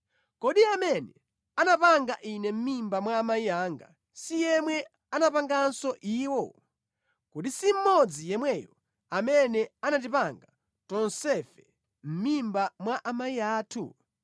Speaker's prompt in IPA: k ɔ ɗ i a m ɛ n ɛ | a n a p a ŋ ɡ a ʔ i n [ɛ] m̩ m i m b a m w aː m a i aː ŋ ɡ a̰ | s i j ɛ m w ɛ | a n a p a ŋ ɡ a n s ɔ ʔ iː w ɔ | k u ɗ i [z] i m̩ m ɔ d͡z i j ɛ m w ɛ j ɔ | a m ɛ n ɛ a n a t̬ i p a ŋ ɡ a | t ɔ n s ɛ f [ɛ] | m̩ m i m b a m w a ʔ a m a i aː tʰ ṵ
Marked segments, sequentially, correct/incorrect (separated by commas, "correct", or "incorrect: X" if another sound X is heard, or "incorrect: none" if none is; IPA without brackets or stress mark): correct, incorrect: s, correct